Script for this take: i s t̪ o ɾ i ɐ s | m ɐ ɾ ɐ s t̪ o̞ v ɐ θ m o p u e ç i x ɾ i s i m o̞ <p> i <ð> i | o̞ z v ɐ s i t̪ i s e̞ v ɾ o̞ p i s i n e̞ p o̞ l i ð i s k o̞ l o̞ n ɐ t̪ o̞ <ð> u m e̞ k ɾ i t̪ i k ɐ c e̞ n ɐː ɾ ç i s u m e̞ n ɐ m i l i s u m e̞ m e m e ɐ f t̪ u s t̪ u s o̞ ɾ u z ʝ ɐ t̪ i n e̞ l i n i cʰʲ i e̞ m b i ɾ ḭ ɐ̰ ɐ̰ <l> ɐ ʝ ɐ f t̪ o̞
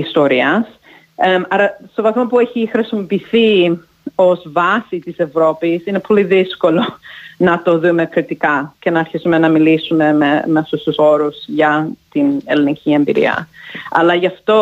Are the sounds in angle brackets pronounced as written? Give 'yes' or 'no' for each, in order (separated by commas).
yes, no, yes, yes